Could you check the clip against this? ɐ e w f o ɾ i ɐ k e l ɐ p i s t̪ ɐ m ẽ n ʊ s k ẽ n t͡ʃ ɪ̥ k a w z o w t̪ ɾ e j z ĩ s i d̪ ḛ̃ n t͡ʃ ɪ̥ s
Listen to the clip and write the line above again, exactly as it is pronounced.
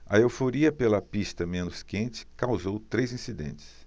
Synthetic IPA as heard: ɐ e w f o ɾ i ɐ p e l ɐ p i s t̪ ɐ m ẽ n ʊ s k ẽ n t͡ʃ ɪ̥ k a w z o w t̪ ɾ e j z ĩ s i d̪ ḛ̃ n t͡ʃ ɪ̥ s